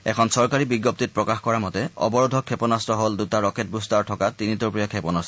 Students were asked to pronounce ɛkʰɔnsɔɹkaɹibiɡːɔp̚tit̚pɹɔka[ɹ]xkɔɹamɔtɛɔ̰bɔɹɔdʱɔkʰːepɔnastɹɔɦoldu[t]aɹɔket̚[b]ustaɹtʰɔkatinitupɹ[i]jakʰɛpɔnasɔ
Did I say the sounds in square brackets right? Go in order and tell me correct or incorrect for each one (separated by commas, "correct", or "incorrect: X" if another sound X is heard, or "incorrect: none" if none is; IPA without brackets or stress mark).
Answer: incorrect: none, correct, correct, correct